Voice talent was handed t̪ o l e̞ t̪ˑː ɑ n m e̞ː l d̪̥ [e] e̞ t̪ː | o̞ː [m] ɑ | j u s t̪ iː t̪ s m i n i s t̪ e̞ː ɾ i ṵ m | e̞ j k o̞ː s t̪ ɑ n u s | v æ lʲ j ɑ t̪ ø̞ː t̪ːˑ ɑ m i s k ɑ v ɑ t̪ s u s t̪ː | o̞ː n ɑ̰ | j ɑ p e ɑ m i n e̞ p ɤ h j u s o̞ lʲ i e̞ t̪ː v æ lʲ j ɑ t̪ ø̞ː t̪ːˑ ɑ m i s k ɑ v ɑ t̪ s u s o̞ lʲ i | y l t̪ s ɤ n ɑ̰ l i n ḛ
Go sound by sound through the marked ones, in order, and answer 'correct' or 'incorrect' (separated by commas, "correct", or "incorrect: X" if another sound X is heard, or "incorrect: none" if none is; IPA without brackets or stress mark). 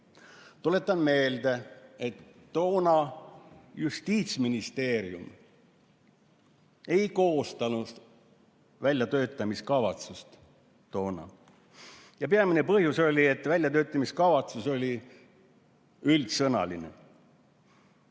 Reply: correct, incorrect: n